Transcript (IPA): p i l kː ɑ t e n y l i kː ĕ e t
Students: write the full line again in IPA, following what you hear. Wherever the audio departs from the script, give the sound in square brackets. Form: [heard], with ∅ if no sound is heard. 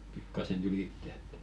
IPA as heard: p i [∅] kː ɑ [s] e n y l i [tː] ĕ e t